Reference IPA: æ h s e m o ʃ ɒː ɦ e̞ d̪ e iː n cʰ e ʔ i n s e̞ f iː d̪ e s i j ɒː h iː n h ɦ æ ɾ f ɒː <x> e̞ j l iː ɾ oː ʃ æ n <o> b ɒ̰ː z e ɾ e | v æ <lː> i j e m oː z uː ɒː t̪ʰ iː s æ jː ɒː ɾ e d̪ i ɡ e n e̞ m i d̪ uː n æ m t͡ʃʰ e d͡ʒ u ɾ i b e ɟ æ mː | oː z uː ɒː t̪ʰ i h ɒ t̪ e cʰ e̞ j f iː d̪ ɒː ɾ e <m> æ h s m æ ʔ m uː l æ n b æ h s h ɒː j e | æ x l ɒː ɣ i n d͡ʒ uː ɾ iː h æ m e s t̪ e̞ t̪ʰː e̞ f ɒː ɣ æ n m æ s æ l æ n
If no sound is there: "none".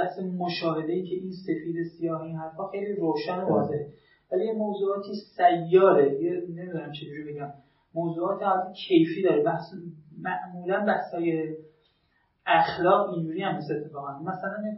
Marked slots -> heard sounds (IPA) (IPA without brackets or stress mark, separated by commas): x, o, l, b